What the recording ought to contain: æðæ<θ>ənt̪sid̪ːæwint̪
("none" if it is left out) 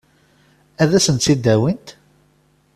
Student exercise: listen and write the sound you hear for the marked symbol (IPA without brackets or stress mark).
s